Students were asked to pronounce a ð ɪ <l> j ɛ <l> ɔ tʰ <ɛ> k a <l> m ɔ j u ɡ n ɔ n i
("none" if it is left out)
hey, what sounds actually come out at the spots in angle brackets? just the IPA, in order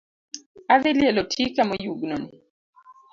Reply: l, l, i, none

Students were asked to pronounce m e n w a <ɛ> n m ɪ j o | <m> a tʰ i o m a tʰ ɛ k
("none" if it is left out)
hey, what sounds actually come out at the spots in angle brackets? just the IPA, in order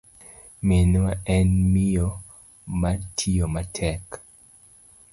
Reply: ɛ, m

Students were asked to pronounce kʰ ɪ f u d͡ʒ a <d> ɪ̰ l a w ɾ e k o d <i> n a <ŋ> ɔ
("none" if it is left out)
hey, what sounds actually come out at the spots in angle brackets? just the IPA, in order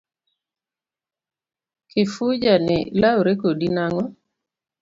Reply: n, i, ŋ

